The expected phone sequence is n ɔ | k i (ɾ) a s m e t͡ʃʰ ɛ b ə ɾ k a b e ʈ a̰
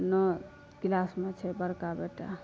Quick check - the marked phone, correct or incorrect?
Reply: incorrect: l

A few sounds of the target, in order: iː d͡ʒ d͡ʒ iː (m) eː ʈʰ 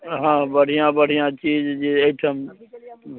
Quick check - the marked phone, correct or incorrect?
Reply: incorrect: none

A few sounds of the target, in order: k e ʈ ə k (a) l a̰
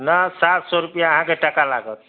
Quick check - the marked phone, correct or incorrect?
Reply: correct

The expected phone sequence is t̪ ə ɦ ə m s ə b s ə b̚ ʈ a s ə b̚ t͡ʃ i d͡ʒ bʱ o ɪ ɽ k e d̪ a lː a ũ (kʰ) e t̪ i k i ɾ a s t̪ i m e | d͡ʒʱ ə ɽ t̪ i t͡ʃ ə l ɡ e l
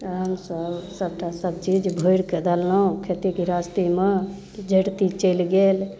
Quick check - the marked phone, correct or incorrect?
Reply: correct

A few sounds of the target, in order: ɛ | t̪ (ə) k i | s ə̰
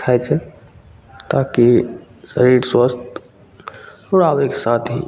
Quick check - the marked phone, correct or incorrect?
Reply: incorrect: a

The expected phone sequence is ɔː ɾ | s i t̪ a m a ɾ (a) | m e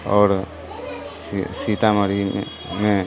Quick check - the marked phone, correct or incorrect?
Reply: incorrect: i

